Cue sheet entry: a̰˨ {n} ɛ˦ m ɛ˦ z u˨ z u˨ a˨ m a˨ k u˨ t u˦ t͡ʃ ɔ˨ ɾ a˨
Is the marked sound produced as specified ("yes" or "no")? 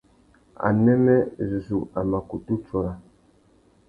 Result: yes